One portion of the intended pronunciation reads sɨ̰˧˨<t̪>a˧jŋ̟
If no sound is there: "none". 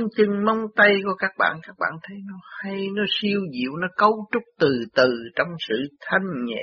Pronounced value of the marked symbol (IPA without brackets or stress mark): t̪ʰ